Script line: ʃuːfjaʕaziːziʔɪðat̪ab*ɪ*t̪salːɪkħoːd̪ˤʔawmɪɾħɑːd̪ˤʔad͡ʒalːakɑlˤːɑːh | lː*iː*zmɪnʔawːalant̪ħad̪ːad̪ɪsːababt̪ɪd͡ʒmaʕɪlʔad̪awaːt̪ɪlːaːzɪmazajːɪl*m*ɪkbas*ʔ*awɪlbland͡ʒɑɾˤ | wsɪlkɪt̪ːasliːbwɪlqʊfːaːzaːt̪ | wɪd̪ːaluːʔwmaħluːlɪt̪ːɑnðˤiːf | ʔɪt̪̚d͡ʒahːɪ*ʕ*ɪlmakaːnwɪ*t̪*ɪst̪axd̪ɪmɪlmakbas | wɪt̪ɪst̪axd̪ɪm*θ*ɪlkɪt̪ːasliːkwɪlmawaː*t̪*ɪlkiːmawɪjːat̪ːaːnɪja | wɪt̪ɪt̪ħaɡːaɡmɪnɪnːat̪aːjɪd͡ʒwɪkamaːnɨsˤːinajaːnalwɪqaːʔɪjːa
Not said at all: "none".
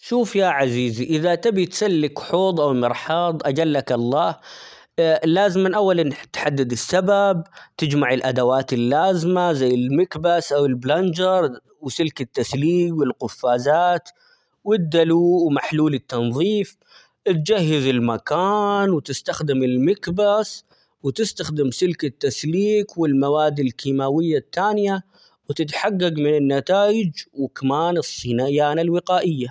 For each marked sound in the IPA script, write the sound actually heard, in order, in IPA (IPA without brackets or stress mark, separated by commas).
i, aː, m, ʔ, z, t̪, s, d̪